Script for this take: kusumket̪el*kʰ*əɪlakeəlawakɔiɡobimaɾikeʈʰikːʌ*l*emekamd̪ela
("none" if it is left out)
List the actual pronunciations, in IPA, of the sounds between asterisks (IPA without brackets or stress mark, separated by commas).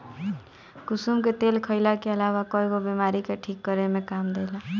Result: kʰ, ɾ